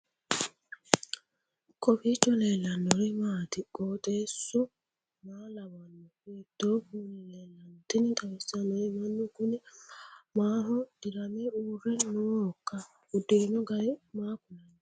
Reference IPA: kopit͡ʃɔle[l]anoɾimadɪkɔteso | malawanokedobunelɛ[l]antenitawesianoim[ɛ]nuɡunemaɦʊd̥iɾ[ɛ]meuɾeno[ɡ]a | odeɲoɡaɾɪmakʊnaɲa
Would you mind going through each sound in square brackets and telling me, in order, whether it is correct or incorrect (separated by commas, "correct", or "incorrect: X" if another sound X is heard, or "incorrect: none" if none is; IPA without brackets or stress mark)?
correct, correct, incorrect: a, incorrect: a, incorrect: k